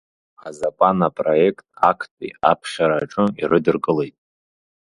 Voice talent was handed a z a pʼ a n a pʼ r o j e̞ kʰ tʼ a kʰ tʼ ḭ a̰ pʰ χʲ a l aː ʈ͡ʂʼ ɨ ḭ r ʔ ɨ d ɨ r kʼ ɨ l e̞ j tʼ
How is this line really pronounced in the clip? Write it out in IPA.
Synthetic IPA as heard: a z a pʼ a n a pʼ r o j e̞ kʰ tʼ a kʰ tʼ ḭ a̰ pʰ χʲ a ɾ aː ʈ͡ʂʼ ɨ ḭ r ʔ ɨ d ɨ r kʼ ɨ l e̞ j tʼ